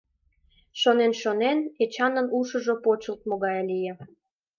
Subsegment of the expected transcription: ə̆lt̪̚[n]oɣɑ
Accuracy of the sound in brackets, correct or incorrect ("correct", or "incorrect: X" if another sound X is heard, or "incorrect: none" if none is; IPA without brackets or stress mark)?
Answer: incorrect: m